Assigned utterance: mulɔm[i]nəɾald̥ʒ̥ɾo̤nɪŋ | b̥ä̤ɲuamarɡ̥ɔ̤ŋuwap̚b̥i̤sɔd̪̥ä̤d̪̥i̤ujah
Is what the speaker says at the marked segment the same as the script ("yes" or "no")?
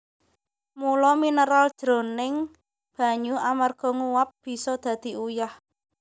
yes